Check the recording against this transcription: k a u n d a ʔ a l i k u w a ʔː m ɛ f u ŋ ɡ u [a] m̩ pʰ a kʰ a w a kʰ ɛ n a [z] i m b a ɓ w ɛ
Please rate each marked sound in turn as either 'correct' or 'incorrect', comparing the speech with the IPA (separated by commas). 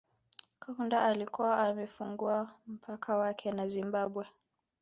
correct, correct